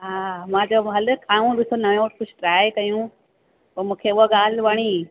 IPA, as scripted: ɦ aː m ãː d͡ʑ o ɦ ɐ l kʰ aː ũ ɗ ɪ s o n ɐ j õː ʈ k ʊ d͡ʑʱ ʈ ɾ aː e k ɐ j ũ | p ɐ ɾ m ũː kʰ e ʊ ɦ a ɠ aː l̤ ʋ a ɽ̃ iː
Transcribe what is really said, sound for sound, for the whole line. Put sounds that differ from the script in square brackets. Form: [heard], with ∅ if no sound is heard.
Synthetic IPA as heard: ɦ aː m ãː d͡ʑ o ɦ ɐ l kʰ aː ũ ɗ ɪ s o n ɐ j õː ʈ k ʊ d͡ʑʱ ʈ ɾ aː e k ɐ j ũ | p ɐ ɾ m ũː kʰ e ʊ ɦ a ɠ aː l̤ ʋ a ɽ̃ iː